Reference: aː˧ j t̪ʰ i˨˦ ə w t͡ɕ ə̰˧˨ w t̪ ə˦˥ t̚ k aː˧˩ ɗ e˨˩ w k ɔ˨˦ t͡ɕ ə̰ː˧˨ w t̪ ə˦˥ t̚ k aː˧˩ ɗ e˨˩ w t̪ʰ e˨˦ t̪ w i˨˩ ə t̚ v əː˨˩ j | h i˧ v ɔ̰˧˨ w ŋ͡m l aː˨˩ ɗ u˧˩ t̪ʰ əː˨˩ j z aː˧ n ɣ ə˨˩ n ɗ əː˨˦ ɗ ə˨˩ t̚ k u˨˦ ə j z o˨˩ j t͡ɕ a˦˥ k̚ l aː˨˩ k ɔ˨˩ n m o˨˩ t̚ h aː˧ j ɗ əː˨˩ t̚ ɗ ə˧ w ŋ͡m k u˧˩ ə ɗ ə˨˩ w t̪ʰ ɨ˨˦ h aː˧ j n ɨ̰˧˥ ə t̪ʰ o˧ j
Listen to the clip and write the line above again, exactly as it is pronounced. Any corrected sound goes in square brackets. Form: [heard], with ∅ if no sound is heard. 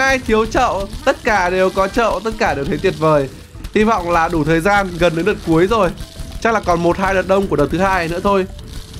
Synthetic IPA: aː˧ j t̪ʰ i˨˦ ə w t͡ɕ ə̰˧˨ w t̪ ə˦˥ t̚ k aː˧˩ ɗ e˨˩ w k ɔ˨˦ t͡ɕ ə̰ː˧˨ w t̪ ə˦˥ t̚ k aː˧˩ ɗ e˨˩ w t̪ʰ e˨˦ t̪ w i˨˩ ə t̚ v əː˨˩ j | h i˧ v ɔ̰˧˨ w ŋ͡m l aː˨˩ ɗ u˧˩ t̪ʰ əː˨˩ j z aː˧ n ɣ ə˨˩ n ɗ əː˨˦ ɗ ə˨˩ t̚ k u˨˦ ə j z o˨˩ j t͡ɕ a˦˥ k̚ l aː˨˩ k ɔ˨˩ n m o˨˩ t̚ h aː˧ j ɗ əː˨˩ t̚ ɗ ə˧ w ŋ͡m k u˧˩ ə ɗ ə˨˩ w t̪ʰ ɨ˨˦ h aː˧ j n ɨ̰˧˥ ə t̪ʰ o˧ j